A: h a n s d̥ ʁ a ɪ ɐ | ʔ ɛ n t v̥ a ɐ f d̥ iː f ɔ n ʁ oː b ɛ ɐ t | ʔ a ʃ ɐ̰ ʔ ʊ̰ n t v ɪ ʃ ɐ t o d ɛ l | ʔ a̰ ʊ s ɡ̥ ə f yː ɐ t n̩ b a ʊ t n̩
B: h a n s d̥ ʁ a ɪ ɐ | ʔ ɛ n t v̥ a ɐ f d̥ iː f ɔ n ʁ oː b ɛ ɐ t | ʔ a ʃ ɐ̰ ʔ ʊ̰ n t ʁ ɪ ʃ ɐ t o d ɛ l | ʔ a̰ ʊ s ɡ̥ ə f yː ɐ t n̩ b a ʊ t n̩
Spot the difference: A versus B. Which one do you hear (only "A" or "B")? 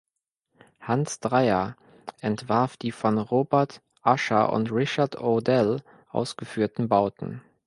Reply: B